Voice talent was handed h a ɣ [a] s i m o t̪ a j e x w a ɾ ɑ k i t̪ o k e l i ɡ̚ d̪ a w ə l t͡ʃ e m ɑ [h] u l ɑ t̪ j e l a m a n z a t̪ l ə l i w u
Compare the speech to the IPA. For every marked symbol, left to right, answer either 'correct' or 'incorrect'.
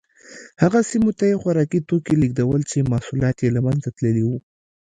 correct, incorrect: s

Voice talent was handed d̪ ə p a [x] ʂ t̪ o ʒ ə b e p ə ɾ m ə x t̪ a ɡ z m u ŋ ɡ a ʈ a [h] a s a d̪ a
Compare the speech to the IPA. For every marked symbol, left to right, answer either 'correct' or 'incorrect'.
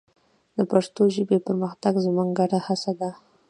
incorrect: none, correct

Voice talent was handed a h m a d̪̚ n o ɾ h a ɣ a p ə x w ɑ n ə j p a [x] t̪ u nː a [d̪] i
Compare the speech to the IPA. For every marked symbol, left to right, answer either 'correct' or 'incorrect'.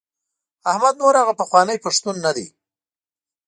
incorrect: ʂ, correct

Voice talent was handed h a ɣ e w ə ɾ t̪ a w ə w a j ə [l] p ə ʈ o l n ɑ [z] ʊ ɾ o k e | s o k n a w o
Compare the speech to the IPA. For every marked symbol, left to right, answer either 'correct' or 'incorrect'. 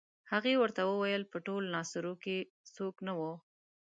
correct, incorrect: s

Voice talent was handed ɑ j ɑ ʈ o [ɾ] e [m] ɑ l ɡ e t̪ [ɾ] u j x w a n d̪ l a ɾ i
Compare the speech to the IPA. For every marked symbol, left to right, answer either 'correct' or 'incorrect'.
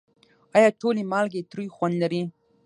incorrect: l, correct, correct

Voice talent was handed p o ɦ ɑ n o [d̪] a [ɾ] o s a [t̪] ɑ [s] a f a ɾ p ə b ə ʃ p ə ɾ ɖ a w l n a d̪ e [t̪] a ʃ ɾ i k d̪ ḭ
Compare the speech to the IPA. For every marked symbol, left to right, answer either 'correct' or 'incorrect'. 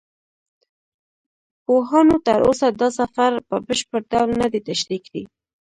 incorrect: t̪, correct, incorrect: d̪, correct, correct

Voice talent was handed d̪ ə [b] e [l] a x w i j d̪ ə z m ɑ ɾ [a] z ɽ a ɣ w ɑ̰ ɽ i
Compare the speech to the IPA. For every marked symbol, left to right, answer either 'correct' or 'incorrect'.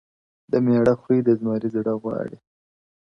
incorrect: m, incorrect: ɽ, incorrect: i

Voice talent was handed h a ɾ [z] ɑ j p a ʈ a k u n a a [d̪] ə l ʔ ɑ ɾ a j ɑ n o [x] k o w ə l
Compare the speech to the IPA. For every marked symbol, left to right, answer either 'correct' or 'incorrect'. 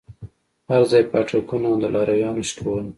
correct, correct, incorrect: ʃ

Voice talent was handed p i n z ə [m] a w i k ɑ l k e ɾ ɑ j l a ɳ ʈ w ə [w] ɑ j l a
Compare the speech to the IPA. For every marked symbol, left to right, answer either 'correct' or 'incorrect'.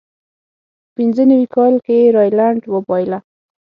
incorrect: n, incorrect: b

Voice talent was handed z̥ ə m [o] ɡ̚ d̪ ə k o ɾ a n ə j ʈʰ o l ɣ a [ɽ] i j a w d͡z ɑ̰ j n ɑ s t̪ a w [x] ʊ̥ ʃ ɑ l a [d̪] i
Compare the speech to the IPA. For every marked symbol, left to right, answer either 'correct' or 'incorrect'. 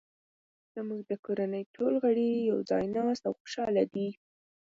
incorrect: u, correct, correct, correct

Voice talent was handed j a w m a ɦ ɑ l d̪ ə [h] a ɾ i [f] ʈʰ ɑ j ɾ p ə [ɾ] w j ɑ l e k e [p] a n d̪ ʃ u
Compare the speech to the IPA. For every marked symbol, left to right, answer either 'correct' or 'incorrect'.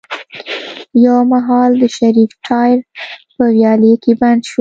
incorrect: ʃ, correct, incorrect: none, incorrect: b

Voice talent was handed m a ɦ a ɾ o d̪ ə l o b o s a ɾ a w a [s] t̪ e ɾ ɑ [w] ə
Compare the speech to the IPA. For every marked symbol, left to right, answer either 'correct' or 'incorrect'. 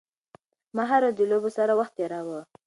incorrect: x, correct

